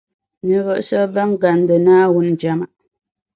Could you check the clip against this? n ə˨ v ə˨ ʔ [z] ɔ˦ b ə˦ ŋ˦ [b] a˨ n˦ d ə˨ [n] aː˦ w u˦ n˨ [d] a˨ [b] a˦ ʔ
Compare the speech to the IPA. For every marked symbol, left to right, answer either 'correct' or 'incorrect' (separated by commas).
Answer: incorrect, incorrect, correct, incorrect, incorrect